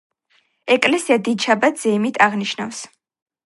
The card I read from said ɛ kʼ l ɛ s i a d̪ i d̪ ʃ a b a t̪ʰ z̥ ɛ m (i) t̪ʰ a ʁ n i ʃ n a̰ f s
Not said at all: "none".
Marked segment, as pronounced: i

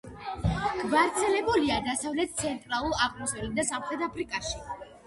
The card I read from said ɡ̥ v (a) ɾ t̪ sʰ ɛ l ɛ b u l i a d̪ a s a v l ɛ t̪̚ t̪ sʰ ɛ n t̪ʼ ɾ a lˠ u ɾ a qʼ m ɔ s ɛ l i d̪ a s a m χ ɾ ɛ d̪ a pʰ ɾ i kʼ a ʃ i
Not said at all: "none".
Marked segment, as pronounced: a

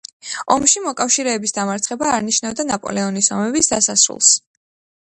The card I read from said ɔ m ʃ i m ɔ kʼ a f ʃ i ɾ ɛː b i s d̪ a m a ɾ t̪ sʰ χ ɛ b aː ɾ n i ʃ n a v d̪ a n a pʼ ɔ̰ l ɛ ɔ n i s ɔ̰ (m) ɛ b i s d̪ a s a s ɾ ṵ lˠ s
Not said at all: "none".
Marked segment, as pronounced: m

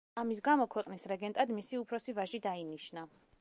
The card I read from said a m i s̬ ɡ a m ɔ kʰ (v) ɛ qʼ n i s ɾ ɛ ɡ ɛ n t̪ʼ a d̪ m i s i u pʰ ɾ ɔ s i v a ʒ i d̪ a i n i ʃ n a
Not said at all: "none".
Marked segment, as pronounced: w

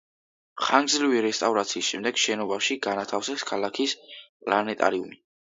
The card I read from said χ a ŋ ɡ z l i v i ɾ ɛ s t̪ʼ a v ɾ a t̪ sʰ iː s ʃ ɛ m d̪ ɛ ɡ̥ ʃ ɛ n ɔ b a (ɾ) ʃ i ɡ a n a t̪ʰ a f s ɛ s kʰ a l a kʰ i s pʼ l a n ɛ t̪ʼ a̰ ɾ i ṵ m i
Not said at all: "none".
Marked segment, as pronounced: none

